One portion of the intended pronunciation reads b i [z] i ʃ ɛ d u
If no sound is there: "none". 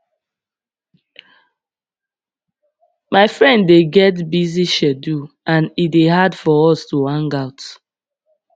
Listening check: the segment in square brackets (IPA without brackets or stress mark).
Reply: z